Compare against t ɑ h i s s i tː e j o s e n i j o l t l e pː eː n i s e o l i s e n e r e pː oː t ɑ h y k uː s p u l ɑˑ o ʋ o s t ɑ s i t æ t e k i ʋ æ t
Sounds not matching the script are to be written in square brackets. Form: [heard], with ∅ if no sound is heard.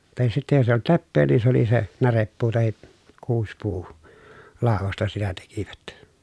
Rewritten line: t ɑ h i s s i tː e j o s e [∅] i j o l t l e pː eː n i s e o l i s e n [æ] r e pː [uː] t ɑ h [i] k uː s p [uː] l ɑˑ o ʋ o s t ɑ s i t æ t e k i ʋ æ t